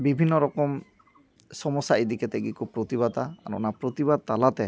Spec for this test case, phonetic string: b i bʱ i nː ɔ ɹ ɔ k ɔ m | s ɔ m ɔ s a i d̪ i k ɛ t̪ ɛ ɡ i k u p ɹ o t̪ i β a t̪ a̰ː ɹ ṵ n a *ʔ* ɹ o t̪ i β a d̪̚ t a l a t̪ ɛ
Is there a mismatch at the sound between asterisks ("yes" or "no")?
yes